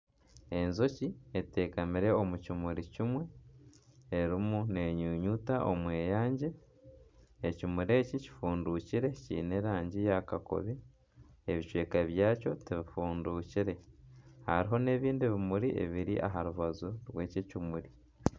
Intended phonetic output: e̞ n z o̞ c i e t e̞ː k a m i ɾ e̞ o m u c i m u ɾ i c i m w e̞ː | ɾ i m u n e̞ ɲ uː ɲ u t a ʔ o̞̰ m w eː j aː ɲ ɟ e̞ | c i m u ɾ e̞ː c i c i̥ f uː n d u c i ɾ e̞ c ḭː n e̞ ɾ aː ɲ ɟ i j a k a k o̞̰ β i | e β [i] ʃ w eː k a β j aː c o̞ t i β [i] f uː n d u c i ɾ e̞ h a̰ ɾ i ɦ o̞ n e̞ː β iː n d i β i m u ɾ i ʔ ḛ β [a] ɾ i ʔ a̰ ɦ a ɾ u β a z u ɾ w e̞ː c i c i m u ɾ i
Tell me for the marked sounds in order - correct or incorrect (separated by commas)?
correct, correct, incorrect